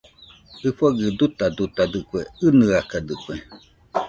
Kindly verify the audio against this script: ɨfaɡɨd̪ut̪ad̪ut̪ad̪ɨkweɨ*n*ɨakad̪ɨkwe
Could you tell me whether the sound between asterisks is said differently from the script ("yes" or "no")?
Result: no